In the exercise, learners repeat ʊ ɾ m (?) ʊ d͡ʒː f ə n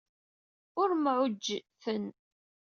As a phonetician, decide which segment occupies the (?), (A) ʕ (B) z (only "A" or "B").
A